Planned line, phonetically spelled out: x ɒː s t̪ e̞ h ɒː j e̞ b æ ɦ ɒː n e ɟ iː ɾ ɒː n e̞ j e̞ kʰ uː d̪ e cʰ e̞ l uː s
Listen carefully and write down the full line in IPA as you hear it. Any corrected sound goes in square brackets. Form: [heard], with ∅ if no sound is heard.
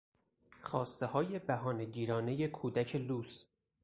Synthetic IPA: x ɒː s t̪ e̞ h ɒː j e̞ b æ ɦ ɒː n e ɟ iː ɾ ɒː n e̞ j e̞ kʰ uː d̪ [æ] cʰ e̞ l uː s